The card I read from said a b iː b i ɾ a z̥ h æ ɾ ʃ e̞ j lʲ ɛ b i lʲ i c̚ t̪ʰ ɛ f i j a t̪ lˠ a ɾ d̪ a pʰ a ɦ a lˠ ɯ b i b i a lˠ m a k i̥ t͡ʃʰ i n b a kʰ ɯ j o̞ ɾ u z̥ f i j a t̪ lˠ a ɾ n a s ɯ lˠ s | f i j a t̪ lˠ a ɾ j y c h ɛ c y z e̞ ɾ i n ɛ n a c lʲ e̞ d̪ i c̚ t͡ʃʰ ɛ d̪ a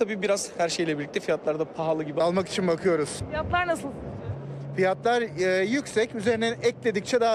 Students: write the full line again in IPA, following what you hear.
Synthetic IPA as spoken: a b iː b i ɾ a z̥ h æ ɾ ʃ e̞ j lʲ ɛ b i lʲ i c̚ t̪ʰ ɛ f i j a t̪ lˠ a ɾ d̪ a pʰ a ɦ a lˠ ɯ ɟ i b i a lˠ m a k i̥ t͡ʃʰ i n b a kʰ ɯ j o̞ ɾ u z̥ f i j a t̪ lˠ a ɾ n a s ɯ lˠ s | f i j a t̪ lˠ a ɾ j y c s ɛ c y z e̞ ɾ i n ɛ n ɛ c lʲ e̞ d̪ i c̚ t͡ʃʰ ɛ d̪ a